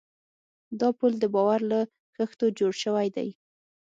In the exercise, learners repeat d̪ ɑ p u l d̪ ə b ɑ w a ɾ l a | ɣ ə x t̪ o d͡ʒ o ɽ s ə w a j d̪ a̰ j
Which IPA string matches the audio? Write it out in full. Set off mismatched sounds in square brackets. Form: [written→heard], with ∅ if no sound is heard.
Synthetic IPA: d̪ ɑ p u l d̪ ə b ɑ w a ɾ l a | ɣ ə x t̪ o d͡ʒ o ɽ [s→ʃ] ə w a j d̪ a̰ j

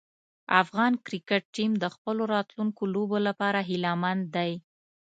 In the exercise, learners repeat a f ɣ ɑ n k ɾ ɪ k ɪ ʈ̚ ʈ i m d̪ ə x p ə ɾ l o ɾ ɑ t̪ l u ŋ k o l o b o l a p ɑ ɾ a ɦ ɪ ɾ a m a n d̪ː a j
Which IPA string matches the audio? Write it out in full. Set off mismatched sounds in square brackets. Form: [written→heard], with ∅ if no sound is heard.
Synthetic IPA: a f ɣ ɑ n k ɾ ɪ k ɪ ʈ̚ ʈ i m d̪ ə x p ə [ɾ→∅] l o ɾ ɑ t̪ l u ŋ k o l o b o l a p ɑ ɾ a ɦ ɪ [ɾ→l] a m a n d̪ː a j

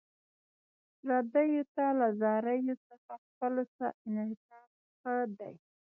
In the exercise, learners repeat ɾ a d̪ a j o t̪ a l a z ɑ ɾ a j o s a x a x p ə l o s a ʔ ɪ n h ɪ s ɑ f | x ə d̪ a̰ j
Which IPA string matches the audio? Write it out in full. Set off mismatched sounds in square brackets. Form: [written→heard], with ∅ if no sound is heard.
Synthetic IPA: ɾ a d̪ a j o t̪ a l a z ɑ ɾ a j o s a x a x p ə l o s a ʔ ɪ n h ɪ s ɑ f | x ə d̪ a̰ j

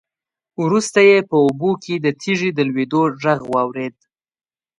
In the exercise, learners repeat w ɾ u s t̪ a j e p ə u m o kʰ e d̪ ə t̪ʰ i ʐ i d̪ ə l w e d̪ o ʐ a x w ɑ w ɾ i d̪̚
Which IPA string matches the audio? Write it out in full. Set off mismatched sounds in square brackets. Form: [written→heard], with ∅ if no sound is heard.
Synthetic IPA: w ɾ u s t̪ a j e p ə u [m→b] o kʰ e d̪ ə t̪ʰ i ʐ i d̪ ə l w e d̪ o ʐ a [x→ɣ] w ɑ w ɾ [i→e] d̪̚

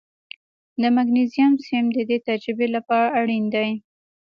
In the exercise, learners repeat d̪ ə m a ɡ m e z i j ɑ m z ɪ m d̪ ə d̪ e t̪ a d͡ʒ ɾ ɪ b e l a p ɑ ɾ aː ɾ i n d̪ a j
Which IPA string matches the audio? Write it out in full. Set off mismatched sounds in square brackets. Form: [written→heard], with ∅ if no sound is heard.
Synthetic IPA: d̪ ə m a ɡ [m→n] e z i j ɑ m [z→s] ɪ m d̪ ə d̪ e t̪ a d͡ʒ ɾ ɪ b e l a p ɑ ɾ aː [ɾ→ɽ] i n d̪ a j

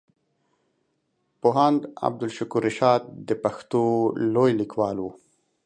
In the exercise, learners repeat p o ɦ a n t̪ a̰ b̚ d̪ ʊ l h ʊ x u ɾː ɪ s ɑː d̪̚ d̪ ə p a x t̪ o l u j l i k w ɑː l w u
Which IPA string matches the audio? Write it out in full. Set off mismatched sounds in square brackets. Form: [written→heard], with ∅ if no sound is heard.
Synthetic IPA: p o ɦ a n [t̪→d̪] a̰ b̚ d̪ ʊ l [h→ʃ] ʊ [x→k] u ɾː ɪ [s→ʃ] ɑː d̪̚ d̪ ə p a x t̪ o l [u→o] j l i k w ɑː l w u

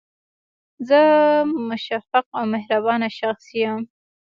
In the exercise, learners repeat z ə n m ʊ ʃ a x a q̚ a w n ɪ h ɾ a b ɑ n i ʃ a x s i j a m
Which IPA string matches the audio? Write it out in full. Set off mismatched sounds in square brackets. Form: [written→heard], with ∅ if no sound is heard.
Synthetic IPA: z ə [n→∅] m ʊ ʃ a [x→f] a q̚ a w [n→m] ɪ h ɾ a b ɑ n [i→a] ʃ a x s i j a m

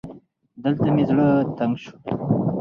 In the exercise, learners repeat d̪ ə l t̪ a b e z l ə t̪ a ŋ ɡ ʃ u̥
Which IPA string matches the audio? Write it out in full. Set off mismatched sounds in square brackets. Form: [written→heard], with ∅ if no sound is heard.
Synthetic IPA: d̪ ə l t̪ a [b→m] e z [l→ɽ] ə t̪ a ŋ ɡ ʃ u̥

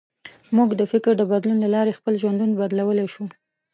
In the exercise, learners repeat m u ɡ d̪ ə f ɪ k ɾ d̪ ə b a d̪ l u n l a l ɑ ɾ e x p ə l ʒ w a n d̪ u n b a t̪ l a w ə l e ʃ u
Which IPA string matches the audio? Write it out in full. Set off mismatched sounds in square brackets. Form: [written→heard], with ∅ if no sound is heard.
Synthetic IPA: m u ɡ d̪ ə f ɪ k ɾ d̪ ə b a d̪ l u n l a l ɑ ɾ e x p ə l ʒ w a n d̪ u n b a [t̪→d̪] l a w ə l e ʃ u

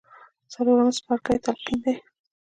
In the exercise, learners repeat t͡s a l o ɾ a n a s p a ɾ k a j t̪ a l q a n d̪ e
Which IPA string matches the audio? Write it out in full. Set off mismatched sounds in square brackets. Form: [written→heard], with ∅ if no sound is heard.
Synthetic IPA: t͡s a l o ɾ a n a s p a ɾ k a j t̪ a l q [a→i] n d̪ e

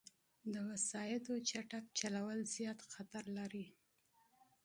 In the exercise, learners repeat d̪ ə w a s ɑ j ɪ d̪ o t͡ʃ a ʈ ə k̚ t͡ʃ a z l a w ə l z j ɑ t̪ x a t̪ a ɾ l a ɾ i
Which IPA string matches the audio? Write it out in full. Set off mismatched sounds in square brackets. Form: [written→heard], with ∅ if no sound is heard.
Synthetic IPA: d̪ ə w a s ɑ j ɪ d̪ o t͡ʃ a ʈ [ə→a] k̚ t͡ʃ a [z→∅] l a w ə l z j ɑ t̪ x a t̪ a ɾ l a ɾ i

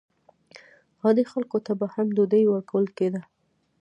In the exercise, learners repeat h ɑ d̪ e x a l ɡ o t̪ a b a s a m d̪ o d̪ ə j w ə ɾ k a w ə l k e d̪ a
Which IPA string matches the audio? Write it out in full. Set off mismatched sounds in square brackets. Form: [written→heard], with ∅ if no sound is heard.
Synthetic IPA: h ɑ d̪ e x a l [ɡ→k] o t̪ a b a [s→h] a m d̪ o d̪ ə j w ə ɾ k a w ə l k e d̪ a

